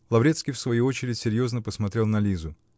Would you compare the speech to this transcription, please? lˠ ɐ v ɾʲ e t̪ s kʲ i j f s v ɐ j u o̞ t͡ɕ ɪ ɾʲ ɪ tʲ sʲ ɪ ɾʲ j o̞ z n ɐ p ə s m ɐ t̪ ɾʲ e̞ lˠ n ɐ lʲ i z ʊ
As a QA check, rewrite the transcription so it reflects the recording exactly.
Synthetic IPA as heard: lˠ ɐ v ɾʲ e t̪ s kʲ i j f s v ɐ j u o̞ t͡ɕ ɪ ɾʲ ɪ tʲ sʲ ɪ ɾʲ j o̞ z n ə p ə s m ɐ t̪ ɾʲ e̞ lˠ n ɐ lʲ i z ʊ